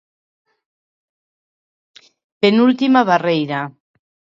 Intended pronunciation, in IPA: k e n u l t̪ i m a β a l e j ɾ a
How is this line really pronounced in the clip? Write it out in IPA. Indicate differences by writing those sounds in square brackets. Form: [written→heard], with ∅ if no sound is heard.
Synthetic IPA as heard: [k→p] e n u l t̪ i m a β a [l→r] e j ɾ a